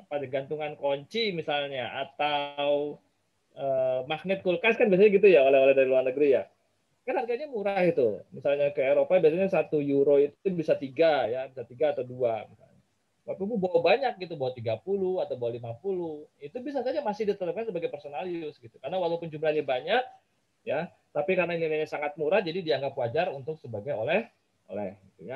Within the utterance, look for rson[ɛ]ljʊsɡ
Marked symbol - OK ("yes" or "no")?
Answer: no